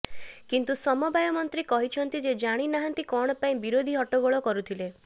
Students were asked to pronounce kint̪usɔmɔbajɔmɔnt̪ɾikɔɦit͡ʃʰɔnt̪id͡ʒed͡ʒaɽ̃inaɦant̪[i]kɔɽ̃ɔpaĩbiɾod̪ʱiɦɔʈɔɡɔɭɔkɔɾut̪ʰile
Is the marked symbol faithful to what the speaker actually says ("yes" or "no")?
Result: yes